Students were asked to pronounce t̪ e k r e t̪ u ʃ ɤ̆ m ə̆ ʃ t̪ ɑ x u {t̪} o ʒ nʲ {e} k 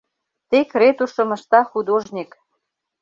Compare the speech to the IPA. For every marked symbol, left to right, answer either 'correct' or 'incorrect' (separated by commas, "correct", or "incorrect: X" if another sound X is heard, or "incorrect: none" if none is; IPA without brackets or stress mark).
incorrect: d̪, incorrect: i